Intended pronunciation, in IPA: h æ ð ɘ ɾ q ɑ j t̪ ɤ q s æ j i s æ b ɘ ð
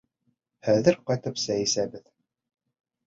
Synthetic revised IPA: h æ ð ɘ ɾ q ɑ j t̪ ɤ p s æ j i s æ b ɘ ð